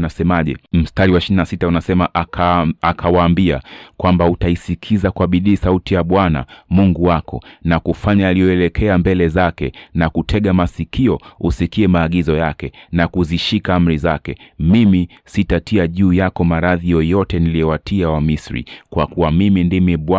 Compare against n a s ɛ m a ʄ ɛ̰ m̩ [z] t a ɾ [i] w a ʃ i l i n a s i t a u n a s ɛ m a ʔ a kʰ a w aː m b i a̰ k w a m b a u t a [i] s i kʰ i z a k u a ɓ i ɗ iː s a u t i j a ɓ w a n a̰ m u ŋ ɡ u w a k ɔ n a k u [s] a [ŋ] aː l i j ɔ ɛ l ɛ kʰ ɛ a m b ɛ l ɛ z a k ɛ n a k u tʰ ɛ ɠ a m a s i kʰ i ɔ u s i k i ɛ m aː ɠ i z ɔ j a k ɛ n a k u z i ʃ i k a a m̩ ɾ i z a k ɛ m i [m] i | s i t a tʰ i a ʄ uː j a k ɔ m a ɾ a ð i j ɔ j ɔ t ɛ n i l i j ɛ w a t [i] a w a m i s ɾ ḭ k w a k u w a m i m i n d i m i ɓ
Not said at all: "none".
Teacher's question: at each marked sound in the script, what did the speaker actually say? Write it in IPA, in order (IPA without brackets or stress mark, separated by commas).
s, i, i, f, ɲ, m, i